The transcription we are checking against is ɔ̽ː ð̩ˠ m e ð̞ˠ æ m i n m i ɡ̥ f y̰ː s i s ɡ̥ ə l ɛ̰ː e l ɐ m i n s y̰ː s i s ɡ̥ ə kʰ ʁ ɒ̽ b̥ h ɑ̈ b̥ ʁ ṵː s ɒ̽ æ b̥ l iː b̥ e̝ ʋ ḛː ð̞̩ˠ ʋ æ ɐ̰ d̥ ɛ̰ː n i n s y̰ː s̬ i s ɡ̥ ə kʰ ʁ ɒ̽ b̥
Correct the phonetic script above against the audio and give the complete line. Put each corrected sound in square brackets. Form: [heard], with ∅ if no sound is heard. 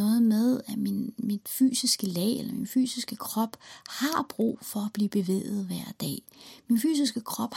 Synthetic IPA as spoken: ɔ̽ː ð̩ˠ m e ð̞ˠ æ m i n m i [d̥] f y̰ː s i s ɡ̥ ə l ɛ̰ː e l ɐ m i n [f] y̰ː s i s ɡ̥ ə kʰ ʁ ɒ̽ b̥ h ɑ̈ b̥ ʁ ṵː [f] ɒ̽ æ b̥ l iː b̥ e̝ ʋ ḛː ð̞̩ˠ ʋ æ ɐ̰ d̥ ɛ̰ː [m] i n [f] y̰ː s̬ i s ɡ̥ ə kʰ ʁ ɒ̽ b̥